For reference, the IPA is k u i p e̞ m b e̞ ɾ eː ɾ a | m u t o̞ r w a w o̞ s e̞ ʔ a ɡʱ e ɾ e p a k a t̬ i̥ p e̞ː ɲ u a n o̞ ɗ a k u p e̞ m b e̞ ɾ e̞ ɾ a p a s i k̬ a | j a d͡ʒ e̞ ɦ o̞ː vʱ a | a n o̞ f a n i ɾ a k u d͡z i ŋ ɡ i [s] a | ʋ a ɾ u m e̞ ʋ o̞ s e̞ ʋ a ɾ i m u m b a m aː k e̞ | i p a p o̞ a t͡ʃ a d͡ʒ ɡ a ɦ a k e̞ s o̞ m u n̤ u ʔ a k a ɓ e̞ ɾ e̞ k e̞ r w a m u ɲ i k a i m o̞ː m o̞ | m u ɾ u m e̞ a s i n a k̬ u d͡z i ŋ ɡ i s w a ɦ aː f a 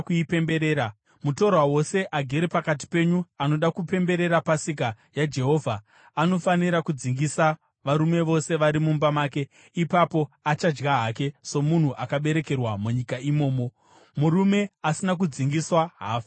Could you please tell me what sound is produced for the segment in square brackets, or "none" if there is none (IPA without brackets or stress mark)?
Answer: s